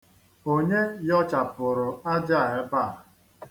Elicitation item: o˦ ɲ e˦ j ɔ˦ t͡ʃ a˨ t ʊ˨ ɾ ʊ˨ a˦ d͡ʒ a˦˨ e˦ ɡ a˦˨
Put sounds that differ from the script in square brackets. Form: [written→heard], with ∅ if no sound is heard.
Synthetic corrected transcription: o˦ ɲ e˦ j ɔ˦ t͡ʃ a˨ [t→p] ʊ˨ ɾ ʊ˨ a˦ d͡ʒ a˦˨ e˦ [ɡ→b] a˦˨